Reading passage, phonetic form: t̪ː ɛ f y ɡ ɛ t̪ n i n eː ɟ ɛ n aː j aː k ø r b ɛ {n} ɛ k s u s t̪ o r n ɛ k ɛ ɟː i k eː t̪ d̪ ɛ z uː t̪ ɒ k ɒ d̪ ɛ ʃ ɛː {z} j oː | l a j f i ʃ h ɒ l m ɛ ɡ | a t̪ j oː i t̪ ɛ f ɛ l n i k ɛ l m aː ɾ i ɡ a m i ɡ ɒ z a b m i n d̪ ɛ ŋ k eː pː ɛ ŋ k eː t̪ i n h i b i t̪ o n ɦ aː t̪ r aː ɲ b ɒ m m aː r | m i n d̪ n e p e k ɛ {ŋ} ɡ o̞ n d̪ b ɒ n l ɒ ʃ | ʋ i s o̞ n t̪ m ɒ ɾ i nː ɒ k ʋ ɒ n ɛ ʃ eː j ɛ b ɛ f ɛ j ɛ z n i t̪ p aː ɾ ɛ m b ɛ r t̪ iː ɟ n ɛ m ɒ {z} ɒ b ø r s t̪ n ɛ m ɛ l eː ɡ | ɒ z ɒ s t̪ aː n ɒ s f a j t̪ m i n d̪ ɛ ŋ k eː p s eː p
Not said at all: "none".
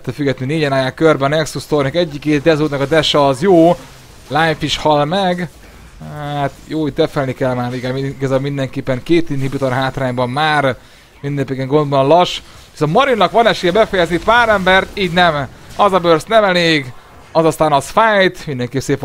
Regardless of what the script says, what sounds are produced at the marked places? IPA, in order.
n, z, ŋ, z

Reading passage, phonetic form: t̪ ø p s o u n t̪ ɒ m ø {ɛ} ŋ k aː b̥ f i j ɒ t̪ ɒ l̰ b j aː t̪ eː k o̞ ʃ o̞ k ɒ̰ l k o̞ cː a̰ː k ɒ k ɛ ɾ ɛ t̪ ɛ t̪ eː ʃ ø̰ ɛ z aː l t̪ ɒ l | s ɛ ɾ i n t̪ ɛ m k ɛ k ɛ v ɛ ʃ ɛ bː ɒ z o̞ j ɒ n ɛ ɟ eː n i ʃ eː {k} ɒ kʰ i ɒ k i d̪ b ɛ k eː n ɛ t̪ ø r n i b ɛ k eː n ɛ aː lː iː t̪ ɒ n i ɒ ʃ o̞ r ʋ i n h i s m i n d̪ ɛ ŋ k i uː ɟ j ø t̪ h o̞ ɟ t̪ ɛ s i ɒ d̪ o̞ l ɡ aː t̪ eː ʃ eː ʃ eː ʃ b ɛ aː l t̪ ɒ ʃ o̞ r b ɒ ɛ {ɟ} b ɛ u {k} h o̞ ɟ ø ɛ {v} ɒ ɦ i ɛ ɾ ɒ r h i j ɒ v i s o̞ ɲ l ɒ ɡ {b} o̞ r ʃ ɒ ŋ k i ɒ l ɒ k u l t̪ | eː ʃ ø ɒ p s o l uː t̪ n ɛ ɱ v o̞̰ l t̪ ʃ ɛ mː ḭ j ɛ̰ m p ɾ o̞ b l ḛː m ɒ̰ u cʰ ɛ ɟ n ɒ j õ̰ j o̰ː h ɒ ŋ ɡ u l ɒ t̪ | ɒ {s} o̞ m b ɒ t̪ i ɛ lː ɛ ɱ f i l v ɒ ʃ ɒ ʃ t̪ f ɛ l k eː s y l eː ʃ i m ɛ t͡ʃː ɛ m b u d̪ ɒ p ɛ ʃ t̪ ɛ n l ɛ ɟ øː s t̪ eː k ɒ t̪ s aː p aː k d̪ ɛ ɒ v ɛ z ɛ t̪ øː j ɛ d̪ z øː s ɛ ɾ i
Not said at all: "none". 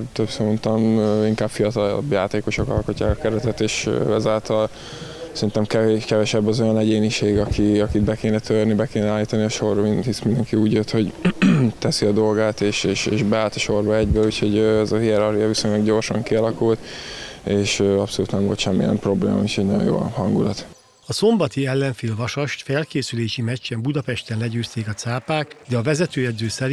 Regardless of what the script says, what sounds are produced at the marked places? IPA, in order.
i, ɡ, ɟ, c, z, ɟ, s

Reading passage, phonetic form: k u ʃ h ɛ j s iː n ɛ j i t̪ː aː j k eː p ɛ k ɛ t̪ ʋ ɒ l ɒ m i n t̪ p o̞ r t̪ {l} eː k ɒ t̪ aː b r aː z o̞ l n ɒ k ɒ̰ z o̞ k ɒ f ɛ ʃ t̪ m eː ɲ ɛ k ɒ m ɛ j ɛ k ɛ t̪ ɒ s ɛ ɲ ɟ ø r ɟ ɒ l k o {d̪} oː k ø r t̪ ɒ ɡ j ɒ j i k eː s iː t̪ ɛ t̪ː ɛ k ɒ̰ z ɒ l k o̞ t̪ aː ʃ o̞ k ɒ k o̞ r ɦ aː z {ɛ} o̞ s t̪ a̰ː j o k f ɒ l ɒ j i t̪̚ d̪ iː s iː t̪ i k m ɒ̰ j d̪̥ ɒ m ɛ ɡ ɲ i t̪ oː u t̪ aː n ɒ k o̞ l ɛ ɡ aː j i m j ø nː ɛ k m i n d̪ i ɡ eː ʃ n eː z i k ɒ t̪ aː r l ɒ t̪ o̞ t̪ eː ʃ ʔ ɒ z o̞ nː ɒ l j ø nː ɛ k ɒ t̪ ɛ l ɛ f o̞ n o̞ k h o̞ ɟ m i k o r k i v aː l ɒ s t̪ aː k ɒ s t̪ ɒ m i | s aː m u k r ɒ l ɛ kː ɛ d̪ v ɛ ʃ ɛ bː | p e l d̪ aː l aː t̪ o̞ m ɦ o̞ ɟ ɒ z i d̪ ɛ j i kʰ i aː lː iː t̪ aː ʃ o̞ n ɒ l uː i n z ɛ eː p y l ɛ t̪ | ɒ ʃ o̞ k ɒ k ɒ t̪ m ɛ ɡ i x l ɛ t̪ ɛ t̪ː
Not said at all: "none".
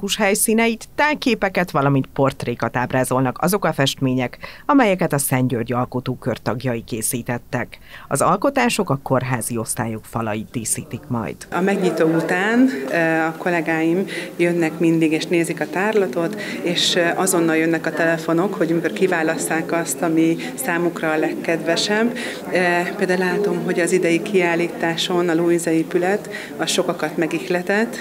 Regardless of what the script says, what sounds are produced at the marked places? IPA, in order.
r, t̪, i

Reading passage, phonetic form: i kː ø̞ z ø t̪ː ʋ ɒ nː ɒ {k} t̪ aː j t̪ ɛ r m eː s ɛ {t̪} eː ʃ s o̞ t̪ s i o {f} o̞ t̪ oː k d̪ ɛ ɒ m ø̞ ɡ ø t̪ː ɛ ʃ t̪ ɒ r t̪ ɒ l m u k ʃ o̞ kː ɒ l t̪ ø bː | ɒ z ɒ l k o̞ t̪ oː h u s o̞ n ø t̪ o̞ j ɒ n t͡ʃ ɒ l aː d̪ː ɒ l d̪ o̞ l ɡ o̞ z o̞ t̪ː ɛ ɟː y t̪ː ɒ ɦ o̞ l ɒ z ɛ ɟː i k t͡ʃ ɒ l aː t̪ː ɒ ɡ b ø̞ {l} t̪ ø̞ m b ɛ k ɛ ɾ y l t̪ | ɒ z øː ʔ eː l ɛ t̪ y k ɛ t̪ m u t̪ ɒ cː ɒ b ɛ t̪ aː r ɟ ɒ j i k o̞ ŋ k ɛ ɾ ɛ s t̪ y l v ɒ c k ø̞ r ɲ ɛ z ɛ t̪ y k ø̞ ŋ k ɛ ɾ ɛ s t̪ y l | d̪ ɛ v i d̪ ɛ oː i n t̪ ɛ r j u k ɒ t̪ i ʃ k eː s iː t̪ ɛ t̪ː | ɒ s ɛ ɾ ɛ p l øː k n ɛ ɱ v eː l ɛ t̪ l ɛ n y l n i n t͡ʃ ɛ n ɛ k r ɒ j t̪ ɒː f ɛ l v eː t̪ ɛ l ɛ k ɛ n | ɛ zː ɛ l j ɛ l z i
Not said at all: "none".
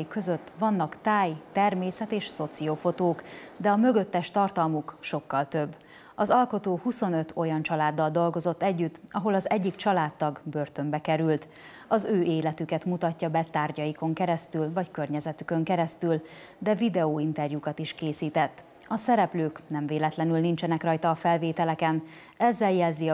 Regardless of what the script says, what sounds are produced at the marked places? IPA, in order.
k, t̪, f, r

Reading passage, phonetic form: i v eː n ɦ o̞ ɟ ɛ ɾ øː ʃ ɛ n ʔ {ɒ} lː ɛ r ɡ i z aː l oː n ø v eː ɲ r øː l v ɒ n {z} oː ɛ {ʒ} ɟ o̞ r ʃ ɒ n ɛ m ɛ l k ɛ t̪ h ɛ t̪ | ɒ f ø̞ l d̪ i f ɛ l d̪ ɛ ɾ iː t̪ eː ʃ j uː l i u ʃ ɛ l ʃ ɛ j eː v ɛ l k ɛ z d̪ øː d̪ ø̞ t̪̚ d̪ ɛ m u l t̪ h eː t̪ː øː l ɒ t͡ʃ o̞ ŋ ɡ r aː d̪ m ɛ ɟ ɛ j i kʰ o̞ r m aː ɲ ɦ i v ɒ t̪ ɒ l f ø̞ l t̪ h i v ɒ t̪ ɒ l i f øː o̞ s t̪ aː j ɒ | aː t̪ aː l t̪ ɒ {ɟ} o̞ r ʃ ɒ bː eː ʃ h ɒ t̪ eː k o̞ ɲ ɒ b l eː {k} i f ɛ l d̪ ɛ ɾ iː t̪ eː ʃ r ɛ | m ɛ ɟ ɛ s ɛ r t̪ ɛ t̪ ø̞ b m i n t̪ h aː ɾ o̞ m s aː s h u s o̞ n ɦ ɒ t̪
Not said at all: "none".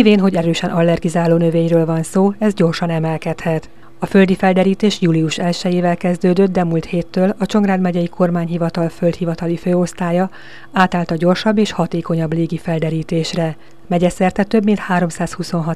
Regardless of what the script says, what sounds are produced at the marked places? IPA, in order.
ɒ, s, z, ɟ, ɡ

